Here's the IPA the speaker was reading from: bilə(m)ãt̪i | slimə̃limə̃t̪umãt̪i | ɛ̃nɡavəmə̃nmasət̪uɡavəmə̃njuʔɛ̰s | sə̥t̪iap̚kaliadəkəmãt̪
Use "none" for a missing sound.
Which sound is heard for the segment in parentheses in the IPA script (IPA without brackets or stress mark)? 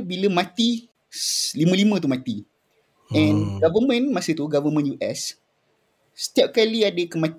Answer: m